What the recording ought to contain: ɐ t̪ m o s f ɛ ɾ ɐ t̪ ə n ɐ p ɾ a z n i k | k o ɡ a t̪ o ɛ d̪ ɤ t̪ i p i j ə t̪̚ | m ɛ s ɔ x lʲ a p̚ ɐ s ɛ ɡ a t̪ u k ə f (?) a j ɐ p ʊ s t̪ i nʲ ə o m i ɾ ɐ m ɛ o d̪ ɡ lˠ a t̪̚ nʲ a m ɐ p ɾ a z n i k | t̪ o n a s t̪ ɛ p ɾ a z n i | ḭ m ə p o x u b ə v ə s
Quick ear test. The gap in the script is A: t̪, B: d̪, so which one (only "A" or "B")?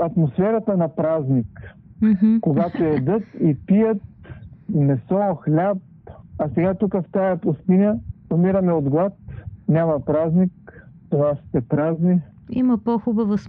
A